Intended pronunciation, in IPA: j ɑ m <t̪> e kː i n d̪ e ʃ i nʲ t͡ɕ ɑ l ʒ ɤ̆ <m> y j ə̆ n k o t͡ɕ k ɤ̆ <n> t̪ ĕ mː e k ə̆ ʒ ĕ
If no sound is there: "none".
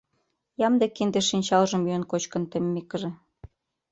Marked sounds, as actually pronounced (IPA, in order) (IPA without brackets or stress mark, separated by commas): d̪, m, n